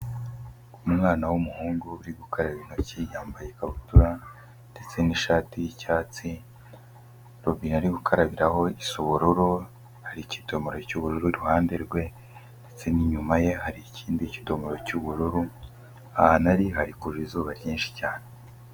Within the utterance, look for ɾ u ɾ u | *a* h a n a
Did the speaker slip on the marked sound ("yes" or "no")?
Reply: no